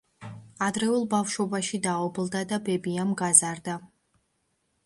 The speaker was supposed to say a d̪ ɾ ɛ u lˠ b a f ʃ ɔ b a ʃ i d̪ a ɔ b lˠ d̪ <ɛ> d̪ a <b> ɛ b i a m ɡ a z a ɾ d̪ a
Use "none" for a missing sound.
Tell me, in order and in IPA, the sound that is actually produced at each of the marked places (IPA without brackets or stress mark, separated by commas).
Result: a, b